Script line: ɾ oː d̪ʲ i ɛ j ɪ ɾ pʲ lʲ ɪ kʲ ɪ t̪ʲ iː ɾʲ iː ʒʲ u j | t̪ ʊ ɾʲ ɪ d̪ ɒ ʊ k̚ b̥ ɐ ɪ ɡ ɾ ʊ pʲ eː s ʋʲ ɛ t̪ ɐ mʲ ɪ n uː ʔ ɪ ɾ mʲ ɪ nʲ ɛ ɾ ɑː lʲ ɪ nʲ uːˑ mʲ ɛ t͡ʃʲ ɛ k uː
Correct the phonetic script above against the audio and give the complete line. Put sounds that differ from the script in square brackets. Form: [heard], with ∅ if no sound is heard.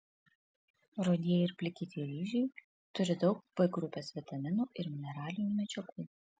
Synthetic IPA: ɾ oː d̪ʲ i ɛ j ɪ ɾ pʲ lʲ ɪ kʲ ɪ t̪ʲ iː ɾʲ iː ʒʲ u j | t̪ ʊ ɾʲ ɪ d̪ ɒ ʊ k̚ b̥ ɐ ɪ ɡ ɾ ʊ pʲ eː s ʋʲ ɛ t̪ ɐ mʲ ɪ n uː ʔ ɪ ɾ mʲ ɪ nʲ ɛ ɾ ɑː lʲ ɪ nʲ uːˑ mʲ ɛ t͡ʃʲ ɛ k uː